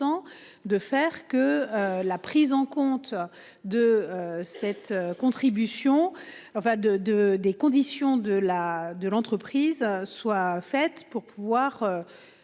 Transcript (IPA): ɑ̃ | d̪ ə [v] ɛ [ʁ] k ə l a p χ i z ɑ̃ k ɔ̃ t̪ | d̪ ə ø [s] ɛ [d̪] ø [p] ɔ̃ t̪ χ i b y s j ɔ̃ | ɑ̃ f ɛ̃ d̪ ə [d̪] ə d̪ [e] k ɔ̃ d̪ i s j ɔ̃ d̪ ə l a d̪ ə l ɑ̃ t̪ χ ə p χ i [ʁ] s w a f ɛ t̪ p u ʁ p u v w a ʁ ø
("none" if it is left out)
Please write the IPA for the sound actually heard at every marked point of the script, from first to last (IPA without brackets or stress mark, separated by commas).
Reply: f, ʁ, s, t̪, k, d̪, e, z